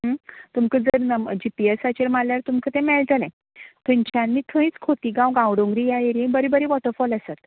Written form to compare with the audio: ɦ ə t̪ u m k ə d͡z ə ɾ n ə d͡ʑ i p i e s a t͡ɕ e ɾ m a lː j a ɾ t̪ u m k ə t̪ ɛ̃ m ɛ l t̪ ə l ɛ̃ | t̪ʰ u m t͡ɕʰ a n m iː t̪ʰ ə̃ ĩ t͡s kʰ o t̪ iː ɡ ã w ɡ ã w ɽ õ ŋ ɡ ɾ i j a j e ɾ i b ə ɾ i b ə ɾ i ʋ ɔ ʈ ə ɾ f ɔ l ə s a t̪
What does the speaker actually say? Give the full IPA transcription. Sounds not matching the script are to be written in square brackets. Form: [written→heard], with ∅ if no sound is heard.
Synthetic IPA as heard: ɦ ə t̪ u m k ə d͡z ə ɾ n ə d͡ʑ i p i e s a t͡ɕ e ɾ m a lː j a ɾ t̪ u m k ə t̪ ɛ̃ m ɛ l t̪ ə l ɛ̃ | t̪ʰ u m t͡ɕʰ a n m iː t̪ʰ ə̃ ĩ t͡s kʰ o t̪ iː ɡ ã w ɡ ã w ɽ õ ŋ ɡ ɾ i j a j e ɾ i b ə ɾ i b ə ɾ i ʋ ɔ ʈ ə ɾ f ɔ l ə s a t̪